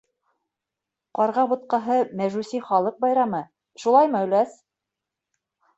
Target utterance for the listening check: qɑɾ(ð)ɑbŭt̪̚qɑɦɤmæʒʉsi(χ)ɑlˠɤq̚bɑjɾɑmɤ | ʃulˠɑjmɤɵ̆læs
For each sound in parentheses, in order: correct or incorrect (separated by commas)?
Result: incorrect, correct